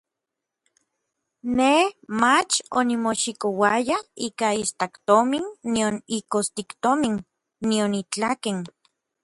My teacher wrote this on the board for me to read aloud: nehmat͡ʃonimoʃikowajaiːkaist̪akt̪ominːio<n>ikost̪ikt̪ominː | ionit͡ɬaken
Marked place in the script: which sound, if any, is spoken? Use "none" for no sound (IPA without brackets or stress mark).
n